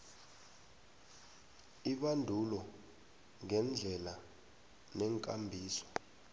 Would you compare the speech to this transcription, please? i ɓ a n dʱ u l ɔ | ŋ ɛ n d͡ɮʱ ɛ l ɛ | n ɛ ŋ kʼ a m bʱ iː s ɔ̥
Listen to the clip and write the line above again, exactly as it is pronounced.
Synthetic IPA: i ɓ a n dʱ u l ɔ | ŋ ɛ n d͡ɮʱ ɛ l a | n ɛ ŋ kʼ a m bʱ iː s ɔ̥